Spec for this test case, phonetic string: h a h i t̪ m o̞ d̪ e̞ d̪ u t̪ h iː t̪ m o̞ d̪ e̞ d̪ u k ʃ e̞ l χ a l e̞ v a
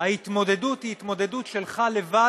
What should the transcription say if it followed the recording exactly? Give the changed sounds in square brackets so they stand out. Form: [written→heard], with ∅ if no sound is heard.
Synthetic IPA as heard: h a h i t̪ m o̞ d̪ e̞ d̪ u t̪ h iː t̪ m o̞ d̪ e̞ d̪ u [k→t] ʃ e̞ l χ a l e̞ v a